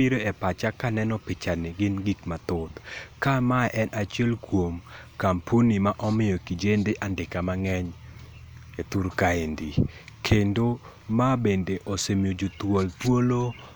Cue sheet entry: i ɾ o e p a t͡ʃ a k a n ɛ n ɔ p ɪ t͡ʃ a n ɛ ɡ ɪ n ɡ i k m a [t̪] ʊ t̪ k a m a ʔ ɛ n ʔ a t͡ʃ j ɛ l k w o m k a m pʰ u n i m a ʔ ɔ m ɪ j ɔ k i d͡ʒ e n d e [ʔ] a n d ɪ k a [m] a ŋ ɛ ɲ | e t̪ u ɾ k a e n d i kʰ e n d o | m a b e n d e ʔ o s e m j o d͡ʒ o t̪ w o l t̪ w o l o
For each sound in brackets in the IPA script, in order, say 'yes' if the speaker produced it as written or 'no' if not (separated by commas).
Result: yes, yes, yes